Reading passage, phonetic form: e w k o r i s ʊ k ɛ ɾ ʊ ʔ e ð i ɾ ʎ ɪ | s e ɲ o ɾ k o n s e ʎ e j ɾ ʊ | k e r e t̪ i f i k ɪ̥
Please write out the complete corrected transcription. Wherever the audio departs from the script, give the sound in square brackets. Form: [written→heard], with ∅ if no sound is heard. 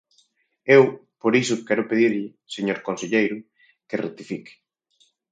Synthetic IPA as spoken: e w [k→p] o [r→ɾ] i s ʊ k ɛ ɾ ʊ [ʔ→p] e ð i ɾ ʎ ɪ | s e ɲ o ɾ k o n s e ʎ e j ɾ ʊ | k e r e t̪ i f i k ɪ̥